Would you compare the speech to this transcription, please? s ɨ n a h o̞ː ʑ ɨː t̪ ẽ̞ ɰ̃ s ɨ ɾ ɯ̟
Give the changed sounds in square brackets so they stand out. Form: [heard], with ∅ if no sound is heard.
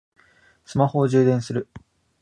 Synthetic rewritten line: s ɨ [m] a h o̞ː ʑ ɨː [d̪] ẽ̞ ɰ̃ s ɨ ɾ ɯ̟